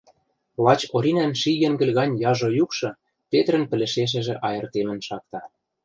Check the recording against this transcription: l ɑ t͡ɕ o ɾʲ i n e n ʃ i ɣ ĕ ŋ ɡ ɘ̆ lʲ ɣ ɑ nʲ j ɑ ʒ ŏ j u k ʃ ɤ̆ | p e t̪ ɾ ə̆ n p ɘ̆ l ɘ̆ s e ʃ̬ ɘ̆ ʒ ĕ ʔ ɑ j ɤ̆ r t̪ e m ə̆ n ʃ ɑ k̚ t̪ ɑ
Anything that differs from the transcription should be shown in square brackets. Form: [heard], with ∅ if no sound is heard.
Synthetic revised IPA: l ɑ t͡ɕ o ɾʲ i n [æ] n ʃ i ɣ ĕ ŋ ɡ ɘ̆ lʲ ɣ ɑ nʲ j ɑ ʒ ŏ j u k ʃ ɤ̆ | p e t̪ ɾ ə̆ n p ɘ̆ l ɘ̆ [ʃ] e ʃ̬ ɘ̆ ʒ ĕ ʔ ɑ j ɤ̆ r t̪ e m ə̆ n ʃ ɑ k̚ t̪ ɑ